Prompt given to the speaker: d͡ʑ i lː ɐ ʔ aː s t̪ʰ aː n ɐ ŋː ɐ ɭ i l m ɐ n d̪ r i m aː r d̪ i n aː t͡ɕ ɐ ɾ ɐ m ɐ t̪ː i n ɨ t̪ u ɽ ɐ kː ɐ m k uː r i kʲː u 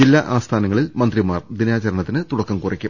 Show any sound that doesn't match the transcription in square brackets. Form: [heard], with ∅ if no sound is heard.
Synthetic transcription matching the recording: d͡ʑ i lː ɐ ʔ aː s t̪ʰ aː n ɐ ŋː ɐ ɭ i l m ɐ n d̪ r i m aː r d̪ i n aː t͡ɕ ɐ ɾ ɐ [ɳ] ɐ t̪ː i n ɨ t̪ u ɽ ɐ kː ɐ m k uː r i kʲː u